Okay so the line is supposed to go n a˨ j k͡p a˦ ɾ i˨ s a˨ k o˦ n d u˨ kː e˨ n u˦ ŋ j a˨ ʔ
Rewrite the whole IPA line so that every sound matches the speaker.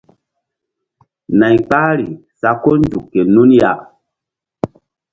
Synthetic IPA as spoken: n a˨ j k͡p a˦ ɾ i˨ s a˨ k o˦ n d u˨ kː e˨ n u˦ n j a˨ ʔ